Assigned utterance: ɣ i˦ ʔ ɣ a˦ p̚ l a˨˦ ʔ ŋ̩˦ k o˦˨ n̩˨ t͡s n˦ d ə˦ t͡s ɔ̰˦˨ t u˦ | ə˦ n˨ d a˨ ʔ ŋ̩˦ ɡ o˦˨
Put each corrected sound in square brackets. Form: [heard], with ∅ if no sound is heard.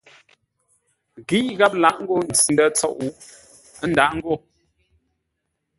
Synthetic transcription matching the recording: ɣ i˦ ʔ ɣ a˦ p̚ l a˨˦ ʔ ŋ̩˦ [ɡ] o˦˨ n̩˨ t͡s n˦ d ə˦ t͡s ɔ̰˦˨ [ʔ] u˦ | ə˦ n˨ d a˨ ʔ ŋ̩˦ ɡ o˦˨